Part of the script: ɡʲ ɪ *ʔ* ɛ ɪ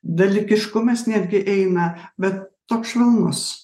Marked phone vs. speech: correct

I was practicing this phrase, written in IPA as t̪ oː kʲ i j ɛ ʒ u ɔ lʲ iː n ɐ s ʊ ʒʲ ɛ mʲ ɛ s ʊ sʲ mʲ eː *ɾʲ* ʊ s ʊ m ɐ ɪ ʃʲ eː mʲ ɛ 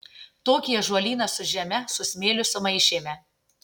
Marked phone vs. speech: incorrect: lʲ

